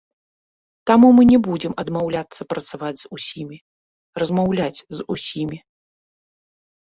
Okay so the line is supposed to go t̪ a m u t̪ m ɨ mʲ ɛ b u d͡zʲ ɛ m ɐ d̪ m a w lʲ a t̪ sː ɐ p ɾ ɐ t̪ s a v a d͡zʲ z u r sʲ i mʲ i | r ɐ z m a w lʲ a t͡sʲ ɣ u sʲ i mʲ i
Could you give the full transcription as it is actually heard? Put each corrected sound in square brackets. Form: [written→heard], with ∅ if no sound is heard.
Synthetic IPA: t̪ a m u [t̪→∅] m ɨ [mʲ→nʲ] ɛ b u d͡zʲ ɛ m ɐ d̪ m a w lʲ a t̪ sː ɐ p ɾ ɐ t̪ s a v a d͡zʲ z u [r→∅] sʲ i mʲ i | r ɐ z m a w lʲ a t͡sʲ [ɣ→z] u sʲ i mʲ i